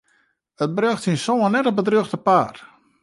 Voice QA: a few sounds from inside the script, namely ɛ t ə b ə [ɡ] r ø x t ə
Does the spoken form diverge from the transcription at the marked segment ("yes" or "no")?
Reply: yes